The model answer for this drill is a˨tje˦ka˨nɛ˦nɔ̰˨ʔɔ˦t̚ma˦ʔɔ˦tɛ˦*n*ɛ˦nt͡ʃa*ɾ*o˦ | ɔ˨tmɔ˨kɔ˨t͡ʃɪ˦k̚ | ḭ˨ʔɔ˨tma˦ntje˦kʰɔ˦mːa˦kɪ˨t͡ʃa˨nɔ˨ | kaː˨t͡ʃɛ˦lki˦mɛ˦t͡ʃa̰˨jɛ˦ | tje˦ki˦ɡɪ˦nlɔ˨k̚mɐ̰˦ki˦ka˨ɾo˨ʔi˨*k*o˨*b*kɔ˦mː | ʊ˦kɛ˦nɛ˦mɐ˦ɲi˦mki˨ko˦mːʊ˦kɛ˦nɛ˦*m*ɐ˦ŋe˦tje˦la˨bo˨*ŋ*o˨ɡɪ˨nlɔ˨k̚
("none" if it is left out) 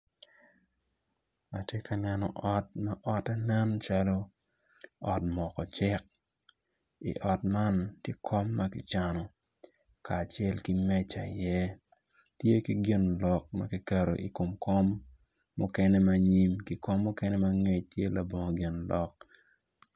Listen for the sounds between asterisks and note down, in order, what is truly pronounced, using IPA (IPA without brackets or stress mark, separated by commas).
n, l, k, m, m, ŋ